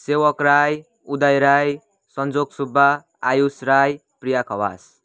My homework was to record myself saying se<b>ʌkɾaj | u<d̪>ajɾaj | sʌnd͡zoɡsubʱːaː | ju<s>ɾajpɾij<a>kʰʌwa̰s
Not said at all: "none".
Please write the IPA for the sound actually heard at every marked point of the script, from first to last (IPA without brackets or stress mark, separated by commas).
w, d̪, s, a